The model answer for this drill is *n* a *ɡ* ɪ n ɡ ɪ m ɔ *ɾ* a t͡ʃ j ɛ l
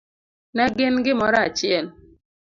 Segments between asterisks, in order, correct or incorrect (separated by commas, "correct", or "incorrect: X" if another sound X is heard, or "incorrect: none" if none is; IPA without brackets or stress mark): correct, correct, correct